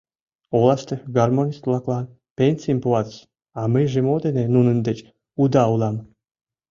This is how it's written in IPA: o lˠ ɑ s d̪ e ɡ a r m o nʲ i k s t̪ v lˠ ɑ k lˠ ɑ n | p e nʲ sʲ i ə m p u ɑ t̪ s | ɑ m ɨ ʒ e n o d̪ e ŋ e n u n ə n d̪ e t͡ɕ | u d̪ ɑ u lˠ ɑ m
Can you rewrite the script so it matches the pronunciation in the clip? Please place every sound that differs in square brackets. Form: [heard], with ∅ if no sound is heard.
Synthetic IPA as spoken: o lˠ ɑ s [t̪] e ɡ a r m o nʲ i [∅] s t̪ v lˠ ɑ k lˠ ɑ n | p e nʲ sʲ i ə m p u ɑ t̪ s | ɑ m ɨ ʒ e [m] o d̪ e [n] e n u n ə n d̪ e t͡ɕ | u d̪ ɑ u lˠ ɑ m